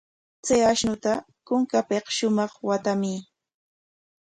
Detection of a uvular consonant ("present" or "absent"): present